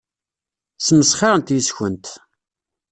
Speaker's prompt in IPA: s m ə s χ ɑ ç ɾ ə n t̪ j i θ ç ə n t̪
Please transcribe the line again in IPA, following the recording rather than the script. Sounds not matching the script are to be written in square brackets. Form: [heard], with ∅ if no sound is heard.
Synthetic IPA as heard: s m ə s χ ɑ [∅] ɾ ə n t̪ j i [s] ç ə n t̪